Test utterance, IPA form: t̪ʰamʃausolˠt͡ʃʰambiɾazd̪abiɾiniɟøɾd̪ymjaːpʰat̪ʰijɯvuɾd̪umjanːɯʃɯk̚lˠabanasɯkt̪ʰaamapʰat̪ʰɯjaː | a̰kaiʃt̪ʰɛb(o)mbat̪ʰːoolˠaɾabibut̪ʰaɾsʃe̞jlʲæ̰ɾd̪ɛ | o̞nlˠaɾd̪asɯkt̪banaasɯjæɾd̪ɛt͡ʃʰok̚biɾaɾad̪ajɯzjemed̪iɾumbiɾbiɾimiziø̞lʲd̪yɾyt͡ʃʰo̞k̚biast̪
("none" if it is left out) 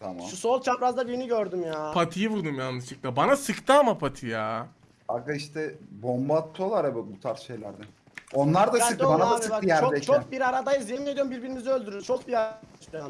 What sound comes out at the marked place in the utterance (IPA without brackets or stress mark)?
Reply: o